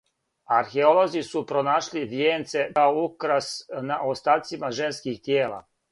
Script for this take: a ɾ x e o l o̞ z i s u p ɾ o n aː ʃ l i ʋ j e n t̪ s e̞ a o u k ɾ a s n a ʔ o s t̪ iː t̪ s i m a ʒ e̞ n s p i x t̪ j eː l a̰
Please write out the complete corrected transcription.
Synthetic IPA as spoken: a ɾ x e o l o̞ z i s u p ɾ o n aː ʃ l i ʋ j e n t̪ s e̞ a o u k ɾ a s n a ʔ o s t̪ aː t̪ s i m a ʒ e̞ n s k i x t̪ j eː l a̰